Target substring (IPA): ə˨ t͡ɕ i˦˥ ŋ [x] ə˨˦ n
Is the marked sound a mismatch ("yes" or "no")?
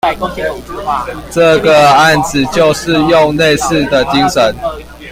yes